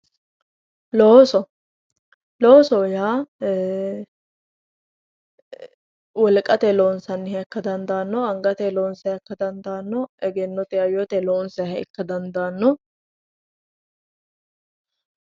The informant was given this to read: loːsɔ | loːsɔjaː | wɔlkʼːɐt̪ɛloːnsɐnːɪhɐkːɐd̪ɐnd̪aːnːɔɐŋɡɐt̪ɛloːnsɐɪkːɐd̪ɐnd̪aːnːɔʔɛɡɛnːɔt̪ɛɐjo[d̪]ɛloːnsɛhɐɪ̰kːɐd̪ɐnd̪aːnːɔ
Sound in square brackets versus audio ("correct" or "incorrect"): incorrect